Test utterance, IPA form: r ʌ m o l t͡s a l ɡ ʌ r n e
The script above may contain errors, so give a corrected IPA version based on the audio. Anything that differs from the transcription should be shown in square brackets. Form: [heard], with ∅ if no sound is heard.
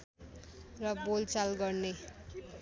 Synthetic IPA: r ʌ [b] o l t͡s a l ɡ ʌ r n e

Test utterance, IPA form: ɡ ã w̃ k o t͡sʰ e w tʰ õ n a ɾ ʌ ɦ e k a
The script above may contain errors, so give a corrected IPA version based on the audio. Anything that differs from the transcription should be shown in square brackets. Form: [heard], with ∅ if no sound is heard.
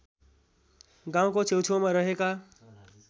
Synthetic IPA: ɡ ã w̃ k o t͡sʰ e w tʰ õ [m] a ɾ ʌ ɦ e k a

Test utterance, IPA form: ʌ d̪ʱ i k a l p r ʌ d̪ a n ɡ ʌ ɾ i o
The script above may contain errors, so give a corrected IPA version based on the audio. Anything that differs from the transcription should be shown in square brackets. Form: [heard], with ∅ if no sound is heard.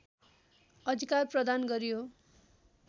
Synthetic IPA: ʌ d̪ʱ i k a [r] p r ʌ d̪ a n ɡ ʌ ɾ [j] o

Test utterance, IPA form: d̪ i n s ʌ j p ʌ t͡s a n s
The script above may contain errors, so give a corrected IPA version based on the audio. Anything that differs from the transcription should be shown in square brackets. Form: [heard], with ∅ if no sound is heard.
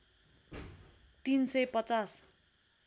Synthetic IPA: [t̪] i n s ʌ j p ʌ t͡s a [∅] s

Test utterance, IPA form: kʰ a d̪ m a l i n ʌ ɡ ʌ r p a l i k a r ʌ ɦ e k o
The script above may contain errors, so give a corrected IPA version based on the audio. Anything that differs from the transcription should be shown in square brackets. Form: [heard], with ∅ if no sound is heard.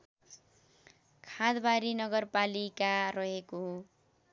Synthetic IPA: kʰ a d̪ [b] a [ɾ] i n ʌ ɡ ʌ r p a l i k a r ʌ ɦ e k o

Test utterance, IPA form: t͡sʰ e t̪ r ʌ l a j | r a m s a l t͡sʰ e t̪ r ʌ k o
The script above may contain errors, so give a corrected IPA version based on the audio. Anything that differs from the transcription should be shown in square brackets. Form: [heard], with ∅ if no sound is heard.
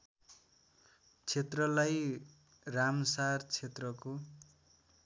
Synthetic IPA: t͡sʰ e t̪ r ʌ l a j | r a m s a [r] t͡sʰ e t̪ r ʌ k o

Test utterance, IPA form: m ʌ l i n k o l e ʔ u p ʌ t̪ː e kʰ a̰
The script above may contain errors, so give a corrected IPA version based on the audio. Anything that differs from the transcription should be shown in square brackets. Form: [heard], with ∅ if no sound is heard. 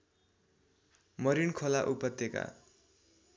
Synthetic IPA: m ʌ [ɾ] i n [kʰ] o l [a] ʔ u p ʌ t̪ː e [k] a̰

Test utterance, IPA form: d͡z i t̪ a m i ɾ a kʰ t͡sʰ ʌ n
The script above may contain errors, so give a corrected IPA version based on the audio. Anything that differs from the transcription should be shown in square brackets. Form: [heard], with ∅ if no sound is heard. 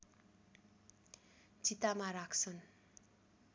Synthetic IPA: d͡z i t̪ a m [a] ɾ a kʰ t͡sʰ ʌ n

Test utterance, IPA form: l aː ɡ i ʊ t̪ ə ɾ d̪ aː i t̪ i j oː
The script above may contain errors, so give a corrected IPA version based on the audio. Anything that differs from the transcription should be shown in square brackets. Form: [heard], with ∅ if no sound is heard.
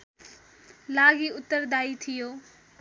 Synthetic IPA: l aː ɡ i ʊ t̪ ə ɾ d̪ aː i [t̪ʰ] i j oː

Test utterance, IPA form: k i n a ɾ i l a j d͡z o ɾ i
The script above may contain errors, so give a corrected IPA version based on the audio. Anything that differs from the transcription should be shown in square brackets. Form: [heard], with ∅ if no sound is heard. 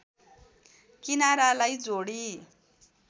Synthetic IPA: k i n a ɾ [a] l a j d͡z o [ɽ] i

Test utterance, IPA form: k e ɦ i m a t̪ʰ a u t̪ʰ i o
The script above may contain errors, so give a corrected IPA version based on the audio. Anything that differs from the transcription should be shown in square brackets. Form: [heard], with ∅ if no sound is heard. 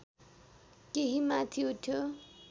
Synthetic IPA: k e ɦ i m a t̪ʰ [i] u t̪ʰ [j] o

